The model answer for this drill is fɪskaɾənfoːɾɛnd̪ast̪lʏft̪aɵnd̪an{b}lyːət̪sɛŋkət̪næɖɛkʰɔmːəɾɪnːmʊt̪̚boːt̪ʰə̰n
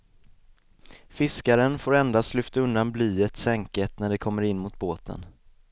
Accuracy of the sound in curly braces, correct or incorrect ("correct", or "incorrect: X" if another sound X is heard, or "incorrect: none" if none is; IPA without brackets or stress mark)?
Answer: correct